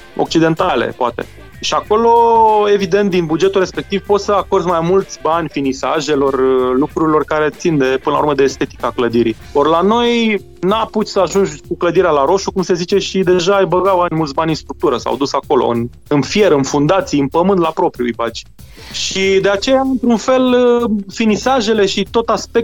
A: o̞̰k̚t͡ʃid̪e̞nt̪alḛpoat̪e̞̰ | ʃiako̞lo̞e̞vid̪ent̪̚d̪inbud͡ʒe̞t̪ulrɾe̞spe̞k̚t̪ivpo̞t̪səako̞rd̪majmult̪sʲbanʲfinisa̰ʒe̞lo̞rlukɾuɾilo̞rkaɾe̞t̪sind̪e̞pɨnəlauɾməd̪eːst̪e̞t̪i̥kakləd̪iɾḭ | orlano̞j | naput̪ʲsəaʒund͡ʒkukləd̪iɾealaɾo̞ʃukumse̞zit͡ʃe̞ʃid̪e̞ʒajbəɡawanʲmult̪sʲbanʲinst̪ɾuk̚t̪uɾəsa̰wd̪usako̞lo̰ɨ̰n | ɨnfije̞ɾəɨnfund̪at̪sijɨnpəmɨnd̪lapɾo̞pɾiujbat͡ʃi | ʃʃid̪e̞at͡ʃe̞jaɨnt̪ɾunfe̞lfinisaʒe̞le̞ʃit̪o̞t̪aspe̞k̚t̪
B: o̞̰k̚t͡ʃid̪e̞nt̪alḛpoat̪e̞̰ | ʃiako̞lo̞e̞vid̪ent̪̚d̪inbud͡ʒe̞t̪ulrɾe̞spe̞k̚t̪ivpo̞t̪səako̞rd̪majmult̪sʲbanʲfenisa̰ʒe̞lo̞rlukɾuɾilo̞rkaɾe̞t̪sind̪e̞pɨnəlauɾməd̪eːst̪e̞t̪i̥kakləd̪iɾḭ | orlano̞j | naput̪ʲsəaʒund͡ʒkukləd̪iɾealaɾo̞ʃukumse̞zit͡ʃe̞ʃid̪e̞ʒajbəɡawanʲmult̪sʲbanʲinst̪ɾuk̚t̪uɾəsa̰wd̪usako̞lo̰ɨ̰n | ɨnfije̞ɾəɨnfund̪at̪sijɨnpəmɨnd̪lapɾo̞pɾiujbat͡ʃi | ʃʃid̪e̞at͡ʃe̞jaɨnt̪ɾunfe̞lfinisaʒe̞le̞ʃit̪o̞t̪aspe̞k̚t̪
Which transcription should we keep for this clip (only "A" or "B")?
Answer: A